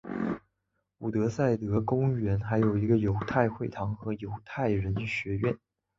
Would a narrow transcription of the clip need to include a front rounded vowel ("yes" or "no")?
no